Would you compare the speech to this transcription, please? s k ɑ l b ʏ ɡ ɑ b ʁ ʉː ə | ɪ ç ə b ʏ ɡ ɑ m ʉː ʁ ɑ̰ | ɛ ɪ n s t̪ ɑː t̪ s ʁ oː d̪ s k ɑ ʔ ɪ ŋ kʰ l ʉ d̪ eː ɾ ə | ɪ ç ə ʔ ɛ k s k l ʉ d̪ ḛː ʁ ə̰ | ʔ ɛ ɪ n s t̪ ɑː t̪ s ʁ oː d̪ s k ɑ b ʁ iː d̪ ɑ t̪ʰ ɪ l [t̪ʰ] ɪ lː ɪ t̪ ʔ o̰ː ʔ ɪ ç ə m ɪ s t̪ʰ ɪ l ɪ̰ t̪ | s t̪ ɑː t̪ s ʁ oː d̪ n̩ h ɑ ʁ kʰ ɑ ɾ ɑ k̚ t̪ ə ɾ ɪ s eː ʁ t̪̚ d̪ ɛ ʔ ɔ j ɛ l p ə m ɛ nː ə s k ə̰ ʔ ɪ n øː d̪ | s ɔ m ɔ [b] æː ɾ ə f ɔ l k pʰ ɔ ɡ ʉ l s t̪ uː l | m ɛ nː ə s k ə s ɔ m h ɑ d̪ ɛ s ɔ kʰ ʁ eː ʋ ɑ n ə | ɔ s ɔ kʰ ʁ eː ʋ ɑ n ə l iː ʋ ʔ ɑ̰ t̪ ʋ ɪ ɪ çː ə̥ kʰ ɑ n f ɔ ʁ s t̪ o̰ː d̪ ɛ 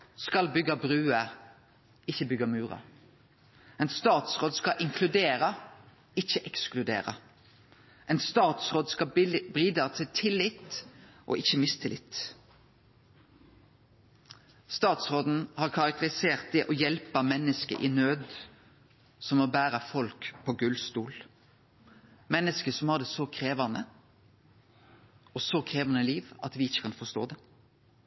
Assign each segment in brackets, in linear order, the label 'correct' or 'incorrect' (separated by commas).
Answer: correct, correct